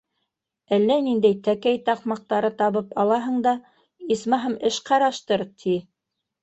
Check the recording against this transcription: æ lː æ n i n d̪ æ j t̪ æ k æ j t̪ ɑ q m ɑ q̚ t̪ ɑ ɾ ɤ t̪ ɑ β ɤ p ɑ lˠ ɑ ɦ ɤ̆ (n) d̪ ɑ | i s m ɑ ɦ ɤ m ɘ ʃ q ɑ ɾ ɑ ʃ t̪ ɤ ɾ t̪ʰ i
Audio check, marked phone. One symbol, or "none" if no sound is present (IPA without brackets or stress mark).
ɴ